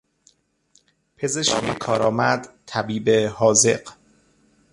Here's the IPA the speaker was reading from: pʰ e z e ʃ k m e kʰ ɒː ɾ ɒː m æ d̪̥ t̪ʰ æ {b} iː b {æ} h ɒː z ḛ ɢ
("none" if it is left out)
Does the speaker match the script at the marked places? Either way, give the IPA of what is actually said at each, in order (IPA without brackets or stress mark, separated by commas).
b, e